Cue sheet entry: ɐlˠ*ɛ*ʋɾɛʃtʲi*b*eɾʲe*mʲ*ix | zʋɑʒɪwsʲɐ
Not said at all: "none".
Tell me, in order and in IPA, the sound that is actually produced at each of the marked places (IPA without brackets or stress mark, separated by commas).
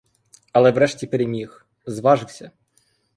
ɛ, p, mʲ